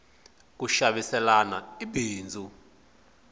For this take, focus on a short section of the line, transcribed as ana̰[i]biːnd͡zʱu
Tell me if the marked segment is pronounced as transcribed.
yes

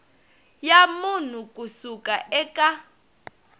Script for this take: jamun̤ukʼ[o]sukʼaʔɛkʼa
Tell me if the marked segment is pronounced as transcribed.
no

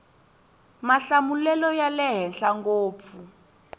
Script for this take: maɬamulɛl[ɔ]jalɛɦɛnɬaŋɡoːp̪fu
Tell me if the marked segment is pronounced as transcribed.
yes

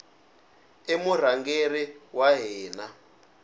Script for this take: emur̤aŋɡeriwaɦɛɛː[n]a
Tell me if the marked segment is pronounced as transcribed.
yes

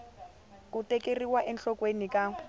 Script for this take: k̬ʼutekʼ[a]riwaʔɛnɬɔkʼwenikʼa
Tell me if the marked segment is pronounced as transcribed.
no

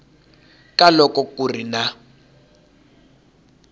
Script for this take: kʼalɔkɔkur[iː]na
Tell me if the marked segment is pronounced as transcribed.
no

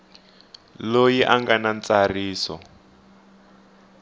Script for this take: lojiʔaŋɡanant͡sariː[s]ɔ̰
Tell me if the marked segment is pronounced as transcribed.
yes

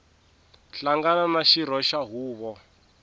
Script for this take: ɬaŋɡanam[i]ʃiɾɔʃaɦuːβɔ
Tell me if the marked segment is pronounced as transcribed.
no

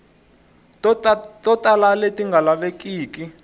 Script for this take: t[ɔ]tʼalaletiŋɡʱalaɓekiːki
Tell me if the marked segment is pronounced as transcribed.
yes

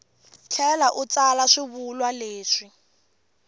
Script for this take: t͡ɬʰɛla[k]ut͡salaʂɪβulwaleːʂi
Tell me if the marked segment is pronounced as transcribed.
no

